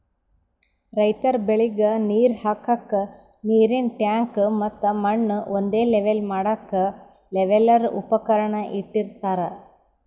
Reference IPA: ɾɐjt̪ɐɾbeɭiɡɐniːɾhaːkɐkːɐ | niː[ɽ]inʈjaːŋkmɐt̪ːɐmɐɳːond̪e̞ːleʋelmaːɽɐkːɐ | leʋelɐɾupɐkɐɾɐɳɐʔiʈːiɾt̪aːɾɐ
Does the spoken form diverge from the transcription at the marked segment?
yes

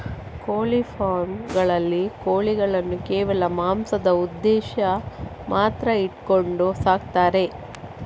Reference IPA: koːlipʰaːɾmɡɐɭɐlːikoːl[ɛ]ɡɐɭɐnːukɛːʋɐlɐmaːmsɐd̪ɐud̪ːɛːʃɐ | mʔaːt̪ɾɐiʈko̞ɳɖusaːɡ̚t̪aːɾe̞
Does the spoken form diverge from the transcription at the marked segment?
yes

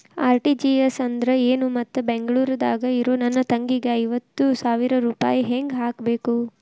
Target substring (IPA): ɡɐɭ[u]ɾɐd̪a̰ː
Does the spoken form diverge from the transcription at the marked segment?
yes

